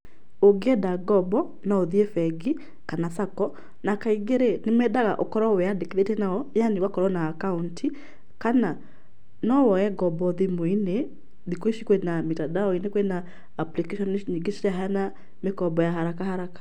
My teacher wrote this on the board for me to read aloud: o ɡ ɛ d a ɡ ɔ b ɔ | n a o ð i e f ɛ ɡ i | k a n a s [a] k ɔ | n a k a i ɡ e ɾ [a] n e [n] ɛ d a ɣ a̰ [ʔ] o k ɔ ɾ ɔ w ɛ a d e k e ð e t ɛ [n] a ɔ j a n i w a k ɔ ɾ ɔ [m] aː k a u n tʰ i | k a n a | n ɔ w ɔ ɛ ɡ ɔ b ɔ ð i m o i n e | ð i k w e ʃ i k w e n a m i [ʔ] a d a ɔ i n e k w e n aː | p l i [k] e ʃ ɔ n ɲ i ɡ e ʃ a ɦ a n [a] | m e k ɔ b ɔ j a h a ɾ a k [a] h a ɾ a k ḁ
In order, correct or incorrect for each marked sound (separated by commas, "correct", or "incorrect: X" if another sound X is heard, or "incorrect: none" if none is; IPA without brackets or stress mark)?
correct, incorrect: e, incorrect: m, correct, correct, incorrect: n, incorrect: t, correct, correct, correct